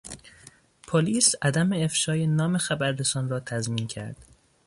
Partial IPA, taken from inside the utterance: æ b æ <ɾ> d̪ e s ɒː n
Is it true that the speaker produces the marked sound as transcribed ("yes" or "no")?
yes